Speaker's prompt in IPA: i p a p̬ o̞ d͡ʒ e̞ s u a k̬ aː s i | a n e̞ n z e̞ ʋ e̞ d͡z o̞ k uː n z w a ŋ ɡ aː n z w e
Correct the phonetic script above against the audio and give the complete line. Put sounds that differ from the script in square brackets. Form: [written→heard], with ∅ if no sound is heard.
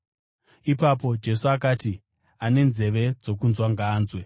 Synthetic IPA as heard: i p a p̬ o̞ d͡ʒ e̞ s u a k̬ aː [s→t] i | a n e̞ n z e̞ ʋ e̞ d͡z o̞ k [uː→u] n z w a ŋ ɡ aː n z w e